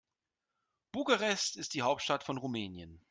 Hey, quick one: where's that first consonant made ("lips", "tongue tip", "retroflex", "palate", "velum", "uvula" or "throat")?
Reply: lips